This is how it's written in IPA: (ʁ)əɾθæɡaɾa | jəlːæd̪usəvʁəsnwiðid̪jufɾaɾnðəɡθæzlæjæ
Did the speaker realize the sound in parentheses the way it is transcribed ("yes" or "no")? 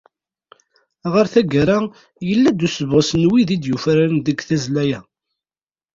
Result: yes